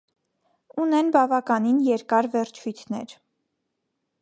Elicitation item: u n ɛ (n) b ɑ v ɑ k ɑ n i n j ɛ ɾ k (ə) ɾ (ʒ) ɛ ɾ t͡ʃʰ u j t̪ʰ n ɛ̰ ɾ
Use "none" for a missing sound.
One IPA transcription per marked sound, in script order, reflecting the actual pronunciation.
n, ɑ, v

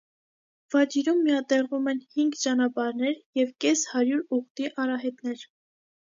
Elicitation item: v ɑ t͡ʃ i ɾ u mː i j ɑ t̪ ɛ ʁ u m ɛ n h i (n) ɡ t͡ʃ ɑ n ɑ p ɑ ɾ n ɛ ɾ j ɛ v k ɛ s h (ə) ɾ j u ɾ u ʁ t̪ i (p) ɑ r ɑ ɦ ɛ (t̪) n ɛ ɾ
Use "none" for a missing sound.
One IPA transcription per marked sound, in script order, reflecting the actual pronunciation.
ŋ, ɑ, ʔ, t̪

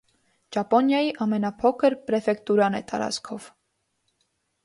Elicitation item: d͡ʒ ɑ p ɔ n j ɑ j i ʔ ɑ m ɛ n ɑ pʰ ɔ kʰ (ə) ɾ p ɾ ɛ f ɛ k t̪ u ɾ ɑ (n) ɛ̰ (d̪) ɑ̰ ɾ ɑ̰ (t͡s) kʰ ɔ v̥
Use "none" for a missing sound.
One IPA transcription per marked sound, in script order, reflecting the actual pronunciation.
ə, n, t̪, t͡s

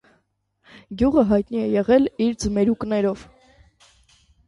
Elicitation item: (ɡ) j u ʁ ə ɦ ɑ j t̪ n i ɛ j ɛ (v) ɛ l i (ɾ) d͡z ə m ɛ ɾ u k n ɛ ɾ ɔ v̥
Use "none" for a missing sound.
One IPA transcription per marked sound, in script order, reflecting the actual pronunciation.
ɡ, ʁ, ɾ

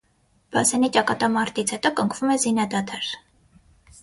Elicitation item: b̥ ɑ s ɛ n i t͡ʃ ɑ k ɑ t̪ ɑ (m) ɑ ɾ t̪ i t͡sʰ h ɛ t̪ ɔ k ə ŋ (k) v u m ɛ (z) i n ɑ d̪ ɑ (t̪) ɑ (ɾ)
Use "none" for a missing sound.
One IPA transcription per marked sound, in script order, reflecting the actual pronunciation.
m, kʰ, z, t̪ʰ, ɾ

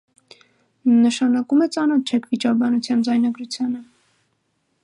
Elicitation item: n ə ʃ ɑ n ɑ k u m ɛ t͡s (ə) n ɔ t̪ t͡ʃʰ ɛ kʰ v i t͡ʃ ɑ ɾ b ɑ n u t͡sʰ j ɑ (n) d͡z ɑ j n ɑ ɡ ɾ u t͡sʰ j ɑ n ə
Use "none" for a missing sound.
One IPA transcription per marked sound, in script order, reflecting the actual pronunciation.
ɑ, n

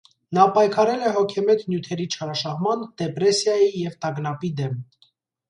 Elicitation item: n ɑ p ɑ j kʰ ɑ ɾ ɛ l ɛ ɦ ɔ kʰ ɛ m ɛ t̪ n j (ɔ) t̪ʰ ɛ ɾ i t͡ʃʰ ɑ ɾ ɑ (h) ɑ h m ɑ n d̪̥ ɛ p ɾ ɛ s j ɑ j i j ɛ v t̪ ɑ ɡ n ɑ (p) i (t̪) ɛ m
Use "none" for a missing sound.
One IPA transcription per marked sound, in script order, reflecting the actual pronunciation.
u, ʃ, p, d̪

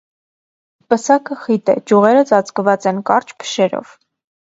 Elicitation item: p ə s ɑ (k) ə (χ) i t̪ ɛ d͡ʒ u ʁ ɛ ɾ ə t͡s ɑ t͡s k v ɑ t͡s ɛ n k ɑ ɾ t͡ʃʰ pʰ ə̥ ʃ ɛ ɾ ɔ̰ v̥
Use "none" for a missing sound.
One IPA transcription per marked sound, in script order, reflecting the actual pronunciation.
k, χ

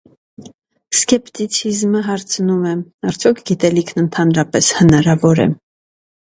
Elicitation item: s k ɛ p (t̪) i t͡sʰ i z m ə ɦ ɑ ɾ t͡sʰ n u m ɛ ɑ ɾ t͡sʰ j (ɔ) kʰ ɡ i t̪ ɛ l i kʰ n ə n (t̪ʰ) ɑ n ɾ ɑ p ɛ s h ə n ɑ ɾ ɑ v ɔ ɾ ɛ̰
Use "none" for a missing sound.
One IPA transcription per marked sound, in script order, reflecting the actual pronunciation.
t̪, ɔ, t̪ʰ

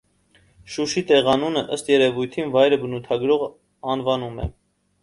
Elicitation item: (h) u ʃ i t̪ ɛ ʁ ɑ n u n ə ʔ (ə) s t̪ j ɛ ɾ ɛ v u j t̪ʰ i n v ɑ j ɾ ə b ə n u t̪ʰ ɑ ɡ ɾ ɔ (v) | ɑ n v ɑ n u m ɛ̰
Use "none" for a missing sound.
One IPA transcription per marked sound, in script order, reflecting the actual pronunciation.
ʃ, ə, ʁ

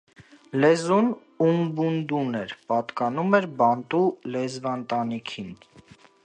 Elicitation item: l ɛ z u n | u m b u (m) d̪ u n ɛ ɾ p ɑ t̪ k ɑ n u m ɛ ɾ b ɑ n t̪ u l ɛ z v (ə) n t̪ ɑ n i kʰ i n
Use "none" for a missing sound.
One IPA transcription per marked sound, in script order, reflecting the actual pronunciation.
n, ɑ

